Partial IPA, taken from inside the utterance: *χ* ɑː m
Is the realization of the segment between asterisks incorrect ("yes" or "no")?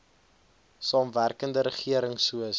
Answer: yes